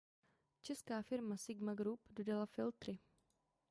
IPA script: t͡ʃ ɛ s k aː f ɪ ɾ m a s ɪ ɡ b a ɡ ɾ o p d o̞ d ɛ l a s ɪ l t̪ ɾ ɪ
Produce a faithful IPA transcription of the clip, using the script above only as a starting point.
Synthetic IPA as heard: t͡ʃ ɛ s k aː f ɪ ɾ m a s ɪ ɡ m a ɡ ɾ u p d o̞ d a l a f ɪ l t̪ ɾ ɪ